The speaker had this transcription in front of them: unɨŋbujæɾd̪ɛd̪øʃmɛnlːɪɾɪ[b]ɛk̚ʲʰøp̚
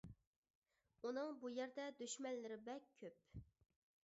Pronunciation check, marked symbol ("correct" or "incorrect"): correct